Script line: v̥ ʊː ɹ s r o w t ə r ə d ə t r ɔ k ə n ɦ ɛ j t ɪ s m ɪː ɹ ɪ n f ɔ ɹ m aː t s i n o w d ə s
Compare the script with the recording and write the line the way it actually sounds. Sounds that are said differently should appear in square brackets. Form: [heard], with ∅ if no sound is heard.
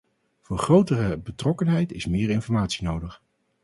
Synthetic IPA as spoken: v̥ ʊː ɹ [χ] r o w t ə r ə [b] ə t r ɔ k ə n ɦ ɛ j t ɪ s m ɪː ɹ ɪ n f ɔ ɹ m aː t s i n o w d ə [χ]